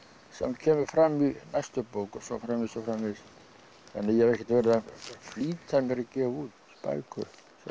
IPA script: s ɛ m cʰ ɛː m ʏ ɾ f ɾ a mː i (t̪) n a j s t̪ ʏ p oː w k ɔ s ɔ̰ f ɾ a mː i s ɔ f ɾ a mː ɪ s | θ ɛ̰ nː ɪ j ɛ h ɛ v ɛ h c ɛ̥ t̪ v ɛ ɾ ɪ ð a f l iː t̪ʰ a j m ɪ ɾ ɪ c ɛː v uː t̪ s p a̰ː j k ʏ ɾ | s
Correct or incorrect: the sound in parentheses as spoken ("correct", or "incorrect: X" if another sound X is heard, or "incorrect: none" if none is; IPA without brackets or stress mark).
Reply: incorrect: none